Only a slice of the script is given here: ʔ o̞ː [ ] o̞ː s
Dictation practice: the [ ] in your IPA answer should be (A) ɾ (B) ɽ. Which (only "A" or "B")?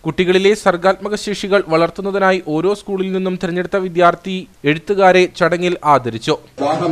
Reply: A